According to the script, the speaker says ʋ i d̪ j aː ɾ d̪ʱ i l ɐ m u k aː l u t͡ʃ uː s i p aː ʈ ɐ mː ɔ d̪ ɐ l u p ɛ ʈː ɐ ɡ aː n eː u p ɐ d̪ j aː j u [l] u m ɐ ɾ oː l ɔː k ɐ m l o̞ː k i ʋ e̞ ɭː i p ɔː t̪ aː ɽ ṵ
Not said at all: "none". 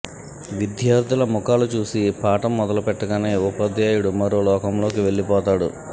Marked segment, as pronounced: ɽ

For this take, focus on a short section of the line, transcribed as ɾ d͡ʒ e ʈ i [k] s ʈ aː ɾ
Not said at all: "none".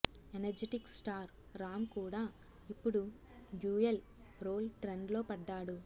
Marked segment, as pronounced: k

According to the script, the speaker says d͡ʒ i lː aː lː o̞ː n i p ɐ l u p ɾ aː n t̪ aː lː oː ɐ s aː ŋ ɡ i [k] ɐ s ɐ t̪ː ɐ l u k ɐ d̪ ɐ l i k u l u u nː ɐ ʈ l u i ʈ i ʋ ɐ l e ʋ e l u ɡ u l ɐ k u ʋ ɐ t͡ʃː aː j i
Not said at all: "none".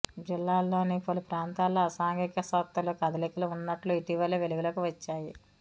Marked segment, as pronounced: k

